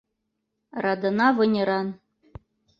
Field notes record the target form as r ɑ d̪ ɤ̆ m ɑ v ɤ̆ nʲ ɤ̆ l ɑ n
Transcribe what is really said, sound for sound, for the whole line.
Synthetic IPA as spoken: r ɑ d̪ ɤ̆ n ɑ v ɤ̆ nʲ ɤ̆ ɾ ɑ n